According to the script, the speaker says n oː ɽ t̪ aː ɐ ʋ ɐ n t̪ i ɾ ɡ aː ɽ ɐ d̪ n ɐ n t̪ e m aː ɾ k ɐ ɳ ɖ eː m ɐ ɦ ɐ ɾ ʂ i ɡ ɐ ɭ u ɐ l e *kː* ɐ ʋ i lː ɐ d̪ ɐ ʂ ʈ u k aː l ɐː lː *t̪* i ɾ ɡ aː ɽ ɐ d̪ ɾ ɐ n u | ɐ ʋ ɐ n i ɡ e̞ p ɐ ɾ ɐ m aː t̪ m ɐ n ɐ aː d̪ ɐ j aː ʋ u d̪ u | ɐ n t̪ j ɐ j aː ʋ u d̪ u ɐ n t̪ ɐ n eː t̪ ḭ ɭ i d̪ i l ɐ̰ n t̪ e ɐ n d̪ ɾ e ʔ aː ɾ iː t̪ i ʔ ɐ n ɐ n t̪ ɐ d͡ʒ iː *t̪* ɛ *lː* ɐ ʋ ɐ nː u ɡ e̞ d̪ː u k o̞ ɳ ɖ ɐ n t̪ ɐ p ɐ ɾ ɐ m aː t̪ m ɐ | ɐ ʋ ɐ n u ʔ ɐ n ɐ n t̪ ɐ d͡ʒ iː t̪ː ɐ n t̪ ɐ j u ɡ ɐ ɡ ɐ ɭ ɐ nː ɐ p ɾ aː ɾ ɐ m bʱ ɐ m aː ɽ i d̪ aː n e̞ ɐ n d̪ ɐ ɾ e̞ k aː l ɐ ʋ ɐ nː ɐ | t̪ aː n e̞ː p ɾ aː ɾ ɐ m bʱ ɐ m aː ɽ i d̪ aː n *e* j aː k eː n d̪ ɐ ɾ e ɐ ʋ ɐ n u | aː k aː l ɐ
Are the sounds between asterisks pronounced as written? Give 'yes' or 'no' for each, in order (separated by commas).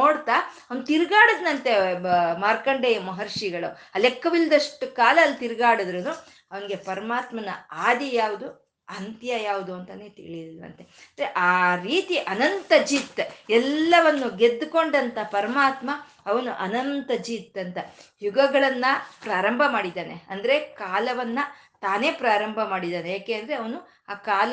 yes, yes, yes, yes, yes